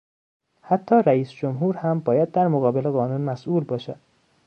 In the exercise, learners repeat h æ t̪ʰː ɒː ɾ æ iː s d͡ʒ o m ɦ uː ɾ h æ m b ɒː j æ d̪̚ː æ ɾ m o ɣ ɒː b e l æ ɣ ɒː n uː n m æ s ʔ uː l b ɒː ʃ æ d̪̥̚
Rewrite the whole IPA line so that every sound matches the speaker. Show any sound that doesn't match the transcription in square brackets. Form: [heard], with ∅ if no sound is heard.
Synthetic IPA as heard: h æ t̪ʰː ɒː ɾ æ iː s d͡ʒ o m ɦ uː ɾ h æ m b ɒː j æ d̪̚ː æ ɾ m o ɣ ɒː b e l [e] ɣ ɒː n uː n m æ s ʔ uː l b ɒː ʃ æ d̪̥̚